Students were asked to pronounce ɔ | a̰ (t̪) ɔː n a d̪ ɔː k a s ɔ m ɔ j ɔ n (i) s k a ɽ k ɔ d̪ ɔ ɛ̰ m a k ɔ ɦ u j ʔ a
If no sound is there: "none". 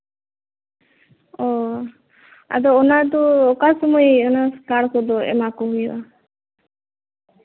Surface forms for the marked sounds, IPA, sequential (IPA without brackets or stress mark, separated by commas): d̪, a